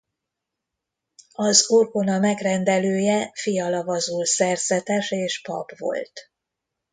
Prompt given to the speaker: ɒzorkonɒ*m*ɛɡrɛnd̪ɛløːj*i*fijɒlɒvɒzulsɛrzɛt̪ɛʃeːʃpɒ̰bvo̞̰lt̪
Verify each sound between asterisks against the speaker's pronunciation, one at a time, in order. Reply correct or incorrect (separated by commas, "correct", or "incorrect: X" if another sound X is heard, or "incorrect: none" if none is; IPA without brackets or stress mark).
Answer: correct, incorrect: ɛ